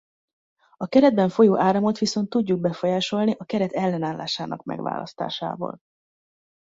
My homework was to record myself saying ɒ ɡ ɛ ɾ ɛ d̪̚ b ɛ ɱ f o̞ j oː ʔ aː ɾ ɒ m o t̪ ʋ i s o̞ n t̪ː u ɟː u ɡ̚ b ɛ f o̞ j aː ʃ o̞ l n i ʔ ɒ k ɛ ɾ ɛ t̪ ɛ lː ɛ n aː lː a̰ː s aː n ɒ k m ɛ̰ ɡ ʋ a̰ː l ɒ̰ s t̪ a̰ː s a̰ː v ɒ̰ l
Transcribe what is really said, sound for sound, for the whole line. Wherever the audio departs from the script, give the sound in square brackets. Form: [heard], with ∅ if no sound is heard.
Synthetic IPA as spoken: ɒ [k] ɛ ɾ ɛ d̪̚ b ɛ ɱ f o̞ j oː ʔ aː ɾ ɒ m o t̪ ʋ i s o̞ n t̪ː u ɟː u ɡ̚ b ɛ f o̞ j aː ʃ o̞ l n i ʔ ɒ k ɛ ɾ ɛ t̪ ɛ lː ɛ n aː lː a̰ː [ʃ] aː n ɒ k m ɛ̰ ɡ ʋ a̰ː l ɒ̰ s t̪ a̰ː [ʃ] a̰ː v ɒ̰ l